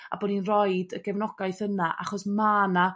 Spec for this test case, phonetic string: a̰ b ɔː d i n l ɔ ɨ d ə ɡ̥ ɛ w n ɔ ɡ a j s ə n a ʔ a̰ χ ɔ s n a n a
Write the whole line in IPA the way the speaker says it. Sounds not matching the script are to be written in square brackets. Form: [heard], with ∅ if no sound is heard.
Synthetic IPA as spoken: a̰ b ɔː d i n [r] ɔ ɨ d ə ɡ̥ ɛ [v] n ɔ ɡ a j [θ] ə n a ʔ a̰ χ ɔ s [m] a n a